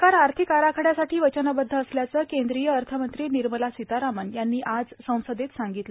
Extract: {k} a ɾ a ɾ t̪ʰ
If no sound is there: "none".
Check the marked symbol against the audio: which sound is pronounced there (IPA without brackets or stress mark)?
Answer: k